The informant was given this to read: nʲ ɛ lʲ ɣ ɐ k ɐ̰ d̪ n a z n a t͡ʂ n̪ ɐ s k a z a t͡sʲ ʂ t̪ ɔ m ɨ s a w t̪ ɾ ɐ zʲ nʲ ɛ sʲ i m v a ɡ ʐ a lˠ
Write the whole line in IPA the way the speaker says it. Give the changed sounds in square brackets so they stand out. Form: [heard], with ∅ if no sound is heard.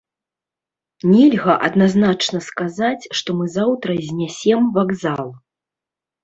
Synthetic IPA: nʲ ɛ lʲ ɣ ɐ [ʔ] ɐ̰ d̪ n a z n a t͡ʂ n̪ ɐ s k a z a t͡sʲ ʂ t̪ ɔ m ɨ [z] a w t̪ ɾ ɐ zʲ nʲ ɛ sʲ [ɛ] m v a ɡ [z] a lˠ